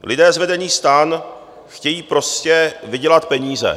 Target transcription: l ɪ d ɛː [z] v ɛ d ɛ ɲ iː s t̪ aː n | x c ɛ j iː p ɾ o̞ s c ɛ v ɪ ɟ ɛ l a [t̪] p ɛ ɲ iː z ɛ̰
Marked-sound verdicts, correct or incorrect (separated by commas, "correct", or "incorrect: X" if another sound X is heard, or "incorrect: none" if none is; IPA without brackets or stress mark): correct, correct